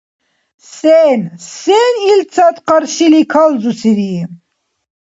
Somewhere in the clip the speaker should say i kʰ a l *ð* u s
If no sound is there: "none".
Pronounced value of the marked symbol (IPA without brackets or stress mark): z